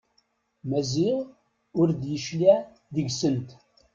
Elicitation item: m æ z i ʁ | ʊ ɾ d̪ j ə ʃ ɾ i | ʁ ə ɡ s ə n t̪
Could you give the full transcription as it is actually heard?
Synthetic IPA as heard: m æ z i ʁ | ʊ ɾ d̪ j ə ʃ l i | ð ə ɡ s ə n t̪